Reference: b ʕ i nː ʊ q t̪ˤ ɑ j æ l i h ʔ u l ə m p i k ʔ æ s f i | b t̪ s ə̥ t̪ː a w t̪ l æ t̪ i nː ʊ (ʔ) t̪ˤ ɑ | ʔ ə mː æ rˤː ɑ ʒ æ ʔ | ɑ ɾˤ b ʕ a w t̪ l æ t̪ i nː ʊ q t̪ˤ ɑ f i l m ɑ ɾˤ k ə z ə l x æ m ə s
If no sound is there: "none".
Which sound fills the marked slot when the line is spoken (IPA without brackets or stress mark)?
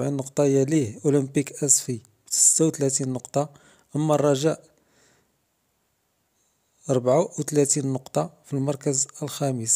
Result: q